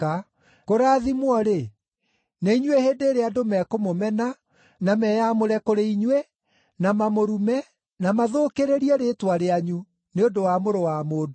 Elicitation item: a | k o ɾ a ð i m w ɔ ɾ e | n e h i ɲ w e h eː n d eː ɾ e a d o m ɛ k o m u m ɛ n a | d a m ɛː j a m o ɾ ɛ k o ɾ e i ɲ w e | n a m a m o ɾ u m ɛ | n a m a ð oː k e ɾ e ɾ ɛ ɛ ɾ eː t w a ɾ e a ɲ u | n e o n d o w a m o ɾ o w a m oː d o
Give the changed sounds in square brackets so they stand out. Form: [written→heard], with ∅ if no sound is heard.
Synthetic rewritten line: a | k o ɾ a ð i m w ɔ ɾ e | n e [h→∅] i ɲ w e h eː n d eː ɾ e a d o m ɛ k o m [u→o] m ɛ n a | [d→n] a m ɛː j a m o ɾ ɛ k o ɾ e i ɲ w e | n a m a m o ɾ u m ɛ | n a m a ð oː k e ɾ e ɾ [ɛ→i] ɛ ɾ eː t w a ɾ e a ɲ u | n e o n d o w a m o ɾ o w a m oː d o